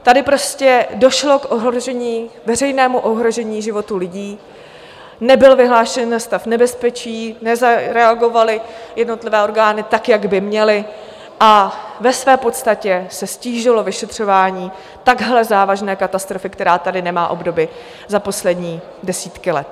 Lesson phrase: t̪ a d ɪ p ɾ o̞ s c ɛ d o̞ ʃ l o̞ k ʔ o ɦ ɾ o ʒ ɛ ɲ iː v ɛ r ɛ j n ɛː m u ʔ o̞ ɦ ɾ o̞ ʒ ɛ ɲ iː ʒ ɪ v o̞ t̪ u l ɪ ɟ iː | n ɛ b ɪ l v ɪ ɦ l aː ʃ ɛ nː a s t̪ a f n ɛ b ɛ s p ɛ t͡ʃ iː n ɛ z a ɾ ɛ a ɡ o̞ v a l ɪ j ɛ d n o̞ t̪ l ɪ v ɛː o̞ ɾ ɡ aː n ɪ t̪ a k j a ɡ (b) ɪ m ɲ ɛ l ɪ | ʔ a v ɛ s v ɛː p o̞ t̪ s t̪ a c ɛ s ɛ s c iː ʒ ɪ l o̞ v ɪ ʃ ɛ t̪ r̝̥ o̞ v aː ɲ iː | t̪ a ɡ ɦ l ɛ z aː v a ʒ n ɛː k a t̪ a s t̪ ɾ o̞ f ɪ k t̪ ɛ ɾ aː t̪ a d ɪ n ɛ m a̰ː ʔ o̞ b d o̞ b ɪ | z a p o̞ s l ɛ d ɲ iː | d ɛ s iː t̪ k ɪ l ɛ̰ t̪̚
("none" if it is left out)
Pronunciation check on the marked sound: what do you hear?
b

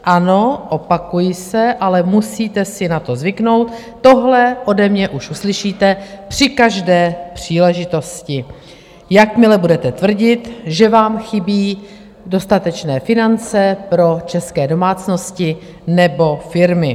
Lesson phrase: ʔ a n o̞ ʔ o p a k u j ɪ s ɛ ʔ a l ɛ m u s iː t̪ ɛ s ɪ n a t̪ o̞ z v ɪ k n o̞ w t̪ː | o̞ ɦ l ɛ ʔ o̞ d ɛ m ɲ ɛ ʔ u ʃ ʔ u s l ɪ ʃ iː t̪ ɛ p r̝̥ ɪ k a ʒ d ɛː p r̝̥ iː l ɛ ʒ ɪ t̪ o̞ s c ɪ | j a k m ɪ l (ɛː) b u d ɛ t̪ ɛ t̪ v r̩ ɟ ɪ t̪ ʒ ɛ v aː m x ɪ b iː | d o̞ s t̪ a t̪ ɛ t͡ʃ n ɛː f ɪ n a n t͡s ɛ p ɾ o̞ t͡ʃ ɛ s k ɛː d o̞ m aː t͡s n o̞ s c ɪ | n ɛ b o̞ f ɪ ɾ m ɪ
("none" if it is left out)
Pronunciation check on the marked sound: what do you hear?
ɛ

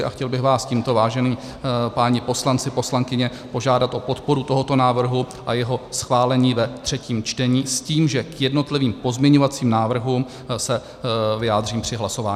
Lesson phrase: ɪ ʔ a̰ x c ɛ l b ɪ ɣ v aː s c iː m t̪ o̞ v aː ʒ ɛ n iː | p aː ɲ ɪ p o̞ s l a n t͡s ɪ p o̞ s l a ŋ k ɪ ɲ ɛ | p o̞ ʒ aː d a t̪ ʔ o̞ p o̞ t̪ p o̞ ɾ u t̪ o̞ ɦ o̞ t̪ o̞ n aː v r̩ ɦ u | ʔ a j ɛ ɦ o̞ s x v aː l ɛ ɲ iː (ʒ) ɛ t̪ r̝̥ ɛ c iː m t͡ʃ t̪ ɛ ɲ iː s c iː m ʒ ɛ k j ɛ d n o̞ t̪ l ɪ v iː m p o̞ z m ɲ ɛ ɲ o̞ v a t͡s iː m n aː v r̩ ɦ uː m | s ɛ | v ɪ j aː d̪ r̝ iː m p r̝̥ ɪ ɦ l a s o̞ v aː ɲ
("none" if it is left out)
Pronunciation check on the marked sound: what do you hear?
v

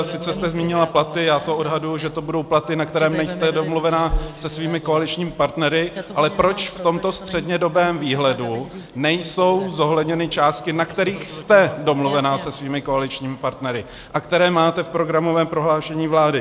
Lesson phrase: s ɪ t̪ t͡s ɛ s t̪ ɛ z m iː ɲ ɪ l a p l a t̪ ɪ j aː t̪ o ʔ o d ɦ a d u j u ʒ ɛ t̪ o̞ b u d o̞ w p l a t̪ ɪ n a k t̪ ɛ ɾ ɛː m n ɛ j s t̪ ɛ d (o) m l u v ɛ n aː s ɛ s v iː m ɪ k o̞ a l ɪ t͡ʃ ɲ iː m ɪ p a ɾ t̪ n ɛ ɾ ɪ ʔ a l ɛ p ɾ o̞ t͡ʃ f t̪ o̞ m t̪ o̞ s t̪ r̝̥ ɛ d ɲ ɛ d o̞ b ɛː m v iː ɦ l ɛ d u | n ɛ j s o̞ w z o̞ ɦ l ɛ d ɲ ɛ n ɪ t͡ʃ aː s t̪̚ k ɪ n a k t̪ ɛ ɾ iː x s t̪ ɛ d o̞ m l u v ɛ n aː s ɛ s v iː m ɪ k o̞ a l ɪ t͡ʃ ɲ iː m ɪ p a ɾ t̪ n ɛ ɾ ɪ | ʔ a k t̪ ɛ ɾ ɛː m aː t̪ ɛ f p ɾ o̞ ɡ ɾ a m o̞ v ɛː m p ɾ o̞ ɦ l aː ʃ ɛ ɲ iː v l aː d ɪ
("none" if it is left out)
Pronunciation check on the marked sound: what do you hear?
o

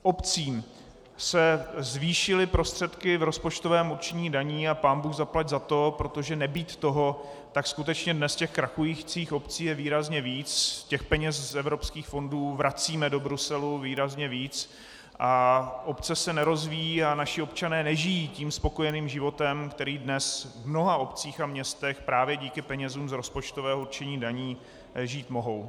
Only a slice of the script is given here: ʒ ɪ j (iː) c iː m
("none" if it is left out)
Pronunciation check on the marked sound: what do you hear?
iː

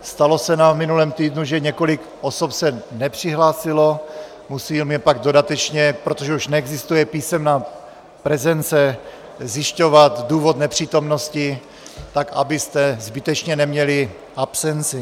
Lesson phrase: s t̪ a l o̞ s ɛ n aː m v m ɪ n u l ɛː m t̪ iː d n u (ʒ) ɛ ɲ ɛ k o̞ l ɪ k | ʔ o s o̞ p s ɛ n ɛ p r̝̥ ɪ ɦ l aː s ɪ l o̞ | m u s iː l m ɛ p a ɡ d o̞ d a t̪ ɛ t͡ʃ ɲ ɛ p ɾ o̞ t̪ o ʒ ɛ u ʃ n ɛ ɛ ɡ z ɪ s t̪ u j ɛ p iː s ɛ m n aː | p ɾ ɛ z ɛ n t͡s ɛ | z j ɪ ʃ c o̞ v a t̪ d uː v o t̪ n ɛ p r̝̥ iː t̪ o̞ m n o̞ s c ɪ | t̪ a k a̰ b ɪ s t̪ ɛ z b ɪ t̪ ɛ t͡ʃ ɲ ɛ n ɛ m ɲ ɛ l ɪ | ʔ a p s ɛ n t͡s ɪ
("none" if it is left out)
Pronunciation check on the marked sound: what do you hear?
ʒ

